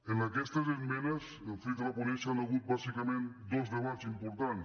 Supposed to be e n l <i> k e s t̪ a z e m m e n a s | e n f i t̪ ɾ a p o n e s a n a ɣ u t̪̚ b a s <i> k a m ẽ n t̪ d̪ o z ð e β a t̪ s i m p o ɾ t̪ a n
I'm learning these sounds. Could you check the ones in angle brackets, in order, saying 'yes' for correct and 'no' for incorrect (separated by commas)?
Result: no, yes